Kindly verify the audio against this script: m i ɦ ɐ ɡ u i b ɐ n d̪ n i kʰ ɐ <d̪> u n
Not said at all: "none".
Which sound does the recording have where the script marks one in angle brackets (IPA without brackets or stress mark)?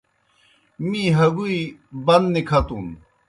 t̪